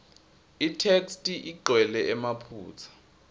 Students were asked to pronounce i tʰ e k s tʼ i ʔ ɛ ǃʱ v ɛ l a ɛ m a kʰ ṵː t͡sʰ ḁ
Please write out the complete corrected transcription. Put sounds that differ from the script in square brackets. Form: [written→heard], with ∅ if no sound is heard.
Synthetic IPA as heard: i tʰ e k s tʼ i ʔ [ɛ→i] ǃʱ [v→w] ɛ l [a→ɛ] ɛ m a [kʰ→pʰ] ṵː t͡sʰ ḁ